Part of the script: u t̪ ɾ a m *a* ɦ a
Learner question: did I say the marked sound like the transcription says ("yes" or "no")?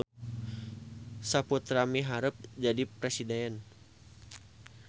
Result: no